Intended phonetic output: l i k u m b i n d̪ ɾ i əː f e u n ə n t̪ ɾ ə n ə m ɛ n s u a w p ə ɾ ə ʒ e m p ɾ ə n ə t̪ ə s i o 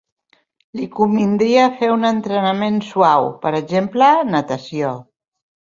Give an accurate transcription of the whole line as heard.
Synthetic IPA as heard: l i k u m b i n d̪ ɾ i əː f e u n ə n t̪ ɾ ə n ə m e n s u a w p ə ɾ ə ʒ e m p l ə n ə t̪ ə s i o